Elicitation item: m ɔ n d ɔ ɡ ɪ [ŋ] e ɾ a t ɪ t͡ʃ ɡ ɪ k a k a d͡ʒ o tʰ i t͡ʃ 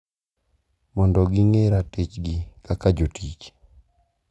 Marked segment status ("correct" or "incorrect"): correct